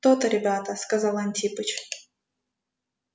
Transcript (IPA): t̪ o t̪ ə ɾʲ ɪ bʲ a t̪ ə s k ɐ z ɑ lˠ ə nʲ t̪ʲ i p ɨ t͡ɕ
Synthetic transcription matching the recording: t̪ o t̪ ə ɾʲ ɪ bʲ a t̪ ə s k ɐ z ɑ lˠ ɐ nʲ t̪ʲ i p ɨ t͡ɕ

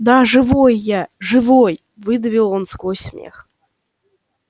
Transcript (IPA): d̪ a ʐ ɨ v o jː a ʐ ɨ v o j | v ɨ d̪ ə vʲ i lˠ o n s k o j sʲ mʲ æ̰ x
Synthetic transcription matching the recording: d̪ a ʐ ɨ v o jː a ʐ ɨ v o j | v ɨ d̪ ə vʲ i lˠ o n s k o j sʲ mʲ ḛ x

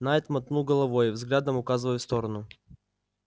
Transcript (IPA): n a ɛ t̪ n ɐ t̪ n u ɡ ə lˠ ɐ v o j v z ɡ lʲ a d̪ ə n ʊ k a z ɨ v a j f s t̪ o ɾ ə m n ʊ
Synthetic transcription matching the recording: n a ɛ t̪ m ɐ t̪ n u ɡ ə lˠ ɐ v o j v z ɡ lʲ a d̪ ə m ʊ k a z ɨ v ə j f s t̪ o ɾ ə n ʊ

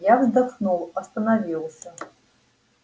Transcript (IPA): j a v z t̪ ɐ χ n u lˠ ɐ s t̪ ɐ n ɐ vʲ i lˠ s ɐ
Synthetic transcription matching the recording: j a v z d̪ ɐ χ n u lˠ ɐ s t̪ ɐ n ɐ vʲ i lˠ s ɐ

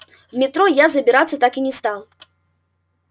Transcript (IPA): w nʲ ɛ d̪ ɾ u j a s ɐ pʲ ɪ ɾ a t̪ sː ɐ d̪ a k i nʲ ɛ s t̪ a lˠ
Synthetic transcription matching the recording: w mʲ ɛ t̪ ɾ ɔ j a z ɐ bʲ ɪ ɾ a t̪ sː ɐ t̪ a k i nʲ ɛ s t̪ a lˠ

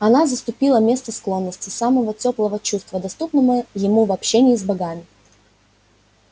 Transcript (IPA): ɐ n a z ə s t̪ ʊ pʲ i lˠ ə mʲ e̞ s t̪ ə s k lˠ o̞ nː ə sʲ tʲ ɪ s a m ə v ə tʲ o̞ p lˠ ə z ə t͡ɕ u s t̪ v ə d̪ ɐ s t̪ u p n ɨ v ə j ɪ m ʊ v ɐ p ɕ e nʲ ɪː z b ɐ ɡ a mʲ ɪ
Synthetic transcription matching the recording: ɐ n a z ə s t̪ ʊ pʲ i lˠ ə mʲ e̞ s t̪ ə s k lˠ o̞ nː ə sʲ tʲ ɪ s a m ə v ə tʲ o̞ p lˠ ə v ə t͡ɕ u s t̪ v ə d̪ ɐ s t̪ u p n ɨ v ə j ɪ m u v ɐ p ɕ e nʲ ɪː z b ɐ ɡ a mʲ ɪ

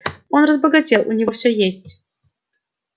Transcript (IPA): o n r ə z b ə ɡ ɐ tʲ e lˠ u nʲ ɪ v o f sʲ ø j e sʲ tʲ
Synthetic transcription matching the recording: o n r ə z b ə ɡ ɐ tʲ e lˠ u nʲ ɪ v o f sʲ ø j e sʲ tʲ

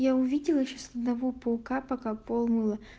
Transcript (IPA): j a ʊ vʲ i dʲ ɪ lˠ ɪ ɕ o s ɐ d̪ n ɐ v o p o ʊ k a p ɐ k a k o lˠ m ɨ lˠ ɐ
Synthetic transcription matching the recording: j a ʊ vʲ i dʲ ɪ lˠ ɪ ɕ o s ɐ d̪ n ɐ v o p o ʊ k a p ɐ k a p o lˠ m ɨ lˠ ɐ

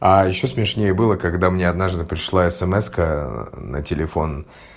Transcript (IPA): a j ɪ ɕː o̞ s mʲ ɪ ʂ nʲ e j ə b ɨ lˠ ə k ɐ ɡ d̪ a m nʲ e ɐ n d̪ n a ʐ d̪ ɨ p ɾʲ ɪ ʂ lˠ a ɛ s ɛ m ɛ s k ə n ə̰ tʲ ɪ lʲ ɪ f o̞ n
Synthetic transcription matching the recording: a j ɪ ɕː o̞ s mʲ ɪ ʂ nʲ e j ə b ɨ lˠ ə k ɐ ɡ d̪ a m nʲ e ɐ d̪ n a ʐ d̪ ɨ p ɾʲ ɪ ʂ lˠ a ɛ s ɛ m ɛ s k ə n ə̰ tʲ ɪ lʲ ɪ f o̞ n

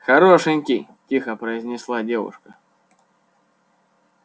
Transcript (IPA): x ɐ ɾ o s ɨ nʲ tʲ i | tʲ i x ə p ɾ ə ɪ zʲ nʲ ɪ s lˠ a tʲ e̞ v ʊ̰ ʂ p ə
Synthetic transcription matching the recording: x ɐ ɾ o ʂ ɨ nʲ kʲ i | tʲ i x ə p ɾ ə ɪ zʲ nʲ ɪ s lˠ a dʲ e̞ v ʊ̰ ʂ k ə

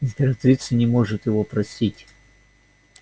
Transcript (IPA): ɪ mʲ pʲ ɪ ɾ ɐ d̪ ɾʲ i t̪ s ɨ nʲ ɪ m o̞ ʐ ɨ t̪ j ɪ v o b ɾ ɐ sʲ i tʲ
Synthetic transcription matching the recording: ɪ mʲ pʲ ɪ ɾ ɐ t̪ ɾʲ i t̪ s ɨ nʲ ɪ m o̞ ʐ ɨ t̪ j ɪ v o p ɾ ɐ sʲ i tʲ

